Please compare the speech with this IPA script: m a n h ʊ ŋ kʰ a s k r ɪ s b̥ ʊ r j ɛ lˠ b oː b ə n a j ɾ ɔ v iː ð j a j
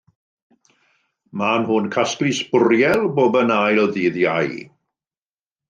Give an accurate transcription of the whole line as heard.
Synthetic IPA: m a n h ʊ n kʰ a s k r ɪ s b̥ ʊ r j ɛ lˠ b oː b ə n a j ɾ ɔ ð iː ð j a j